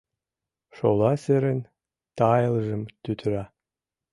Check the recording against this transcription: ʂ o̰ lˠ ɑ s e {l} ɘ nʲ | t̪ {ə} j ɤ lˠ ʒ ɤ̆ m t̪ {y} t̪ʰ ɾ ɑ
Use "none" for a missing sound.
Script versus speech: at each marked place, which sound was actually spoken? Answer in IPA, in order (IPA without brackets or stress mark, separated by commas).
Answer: ɾ, ɑ, y